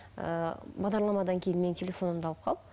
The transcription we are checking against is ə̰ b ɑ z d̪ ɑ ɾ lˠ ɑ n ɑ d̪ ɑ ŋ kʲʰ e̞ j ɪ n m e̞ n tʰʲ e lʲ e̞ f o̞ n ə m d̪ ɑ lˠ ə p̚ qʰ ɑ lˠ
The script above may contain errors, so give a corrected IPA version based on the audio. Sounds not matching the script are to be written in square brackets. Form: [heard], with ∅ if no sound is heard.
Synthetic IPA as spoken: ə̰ b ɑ [ʁ] d̪ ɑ ɾ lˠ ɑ [m] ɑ d̪ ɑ ŋ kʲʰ e̞ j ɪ n m e̞ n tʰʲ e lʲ e̞ f o̞ n ə m d̪ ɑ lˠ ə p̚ qʰ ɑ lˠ